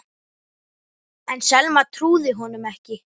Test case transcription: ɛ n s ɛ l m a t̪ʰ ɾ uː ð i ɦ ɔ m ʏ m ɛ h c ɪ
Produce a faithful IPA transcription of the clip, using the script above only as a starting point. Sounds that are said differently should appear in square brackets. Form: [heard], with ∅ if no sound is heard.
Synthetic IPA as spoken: ɛ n s ɛ l m a t̪ʰ ɾ uː ð [ɪ] ɦ ɔ [n] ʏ m ɛ h c ɪ